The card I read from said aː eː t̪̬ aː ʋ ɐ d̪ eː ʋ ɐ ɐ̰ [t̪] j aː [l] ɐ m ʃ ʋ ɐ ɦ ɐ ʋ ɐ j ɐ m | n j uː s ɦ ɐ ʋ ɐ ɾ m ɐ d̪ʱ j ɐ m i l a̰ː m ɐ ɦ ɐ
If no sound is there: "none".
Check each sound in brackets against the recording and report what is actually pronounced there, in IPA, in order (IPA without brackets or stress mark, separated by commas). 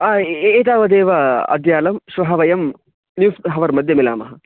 d̪, l